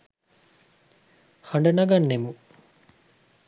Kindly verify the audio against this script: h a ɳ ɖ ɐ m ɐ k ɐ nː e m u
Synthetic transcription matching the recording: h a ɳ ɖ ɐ n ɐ ɡ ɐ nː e m u